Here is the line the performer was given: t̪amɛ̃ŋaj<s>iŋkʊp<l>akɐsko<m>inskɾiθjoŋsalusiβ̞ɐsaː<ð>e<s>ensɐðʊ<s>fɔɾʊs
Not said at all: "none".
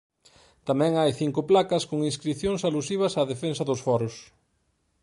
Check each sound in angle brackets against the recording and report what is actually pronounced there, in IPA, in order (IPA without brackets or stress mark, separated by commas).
θ, l, ŋ, ð, f, s